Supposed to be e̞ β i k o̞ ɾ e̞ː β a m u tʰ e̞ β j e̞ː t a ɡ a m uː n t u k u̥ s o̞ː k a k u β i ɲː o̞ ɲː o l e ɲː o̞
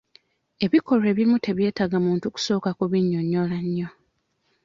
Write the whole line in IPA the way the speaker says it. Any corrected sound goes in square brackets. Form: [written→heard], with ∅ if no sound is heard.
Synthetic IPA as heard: e̞ β i k o̞ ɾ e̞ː β [a→i] m u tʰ e̞ β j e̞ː t a ɡ a m uː n t u k u̥ s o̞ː k a k u β i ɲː o̞ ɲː o l [e→a] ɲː o̞